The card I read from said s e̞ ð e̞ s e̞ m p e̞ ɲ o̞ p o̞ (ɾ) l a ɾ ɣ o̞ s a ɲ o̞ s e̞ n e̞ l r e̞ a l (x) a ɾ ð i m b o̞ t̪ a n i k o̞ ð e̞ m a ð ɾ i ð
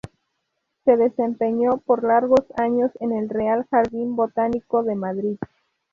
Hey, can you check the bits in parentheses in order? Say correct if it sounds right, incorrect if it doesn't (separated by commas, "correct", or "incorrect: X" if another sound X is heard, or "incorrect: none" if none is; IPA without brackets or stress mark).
correct, correct